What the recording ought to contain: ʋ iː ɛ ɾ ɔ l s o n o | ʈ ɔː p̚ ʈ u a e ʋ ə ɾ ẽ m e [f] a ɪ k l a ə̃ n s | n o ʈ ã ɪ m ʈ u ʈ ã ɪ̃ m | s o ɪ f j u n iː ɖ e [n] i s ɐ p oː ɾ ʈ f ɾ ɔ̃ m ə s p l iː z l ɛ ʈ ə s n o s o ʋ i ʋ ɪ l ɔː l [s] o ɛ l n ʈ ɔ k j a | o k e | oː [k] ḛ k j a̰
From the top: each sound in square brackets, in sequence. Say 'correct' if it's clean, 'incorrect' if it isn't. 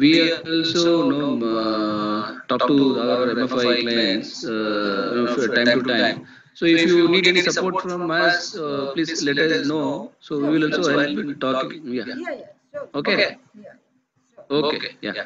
correct, correct, correct, correct

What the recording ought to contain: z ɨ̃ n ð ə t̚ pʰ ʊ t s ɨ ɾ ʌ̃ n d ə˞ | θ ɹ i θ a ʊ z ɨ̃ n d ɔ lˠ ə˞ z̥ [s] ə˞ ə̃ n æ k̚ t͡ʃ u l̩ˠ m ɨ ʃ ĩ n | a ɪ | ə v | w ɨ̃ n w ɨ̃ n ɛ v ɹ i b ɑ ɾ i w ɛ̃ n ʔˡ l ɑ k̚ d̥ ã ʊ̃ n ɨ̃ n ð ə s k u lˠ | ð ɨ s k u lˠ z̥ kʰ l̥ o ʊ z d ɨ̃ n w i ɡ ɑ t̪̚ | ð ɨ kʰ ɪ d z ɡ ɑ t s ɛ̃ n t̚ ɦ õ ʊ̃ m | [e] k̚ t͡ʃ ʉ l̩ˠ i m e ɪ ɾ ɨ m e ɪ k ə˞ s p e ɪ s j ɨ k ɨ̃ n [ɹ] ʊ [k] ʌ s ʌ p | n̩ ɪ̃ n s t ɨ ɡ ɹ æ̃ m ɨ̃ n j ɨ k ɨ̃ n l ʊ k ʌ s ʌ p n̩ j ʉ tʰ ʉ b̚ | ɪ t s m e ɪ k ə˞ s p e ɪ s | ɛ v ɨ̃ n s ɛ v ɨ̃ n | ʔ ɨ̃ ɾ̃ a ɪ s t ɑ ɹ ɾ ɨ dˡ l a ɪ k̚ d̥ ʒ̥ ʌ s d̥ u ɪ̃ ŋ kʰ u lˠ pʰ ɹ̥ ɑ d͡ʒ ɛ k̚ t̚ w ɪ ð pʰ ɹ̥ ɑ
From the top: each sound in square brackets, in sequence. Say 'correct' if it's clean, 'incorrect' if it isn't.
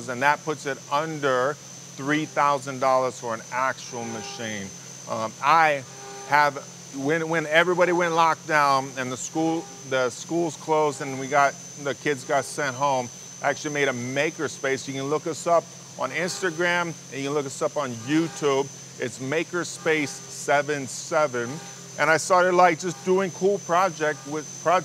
incorrect: f, incorrect: æ, incorrect: l, correct

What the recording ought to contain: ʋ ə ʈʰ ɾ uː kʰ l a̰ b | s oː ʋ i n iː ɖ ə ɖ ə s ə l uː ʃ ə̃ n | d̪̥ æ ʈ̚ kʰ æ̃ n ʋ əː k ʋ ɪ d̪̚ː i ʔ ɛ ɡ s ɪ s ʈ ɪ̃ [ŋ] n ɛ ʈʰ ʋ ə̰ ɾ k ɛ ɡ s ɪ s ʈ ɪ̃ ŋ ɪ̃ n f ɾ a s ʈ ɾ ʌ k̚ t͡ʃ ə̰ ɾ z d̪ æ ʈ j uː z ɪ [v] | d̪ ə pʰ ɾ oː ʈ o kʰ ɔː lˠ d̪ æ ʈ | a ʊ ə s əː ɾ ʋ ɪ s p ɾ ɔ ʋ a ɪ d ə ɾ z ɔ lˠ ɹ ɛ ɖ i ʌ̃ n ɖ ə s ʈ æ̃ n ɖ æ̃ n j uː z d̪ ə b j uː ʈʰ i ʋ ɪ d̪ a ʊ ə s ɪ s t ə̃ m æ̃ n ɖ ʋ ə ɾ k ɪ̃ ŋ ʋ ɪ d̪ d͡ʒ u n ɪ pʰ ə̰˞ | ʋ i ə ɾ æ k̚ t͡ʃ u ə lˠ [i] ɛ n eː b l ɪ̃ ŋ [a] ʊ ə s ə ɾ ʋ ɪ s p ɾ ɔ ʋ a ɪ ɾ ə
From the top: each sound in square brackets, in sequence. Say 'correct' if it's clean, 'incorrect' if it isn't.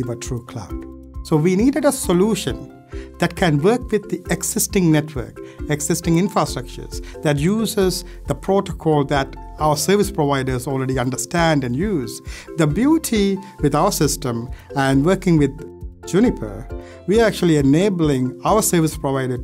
correct, incorrect: z, correct, correct

